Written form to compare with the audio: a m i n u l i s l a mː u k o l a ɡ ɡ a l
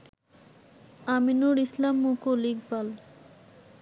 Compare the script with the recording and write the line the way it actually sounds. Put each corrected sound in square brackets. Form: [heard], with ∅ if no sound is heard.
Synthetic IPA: a m i n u [ɾ] i s l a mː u k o l [i] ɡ [b] a l